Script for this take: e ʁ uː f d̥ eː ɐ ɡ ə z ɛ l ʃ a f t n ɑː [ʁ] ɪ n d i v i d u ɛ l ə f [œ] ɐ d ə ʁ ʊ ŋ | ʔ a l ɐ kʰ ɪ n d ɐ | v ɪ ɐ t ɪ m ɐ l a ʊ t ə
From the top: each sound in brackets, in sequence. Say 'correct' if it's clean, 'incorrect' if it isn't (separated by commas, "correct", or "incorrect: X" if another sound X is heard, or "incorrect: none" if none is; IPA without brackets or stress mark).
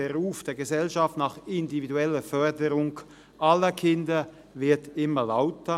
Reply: incorrect: χ, correct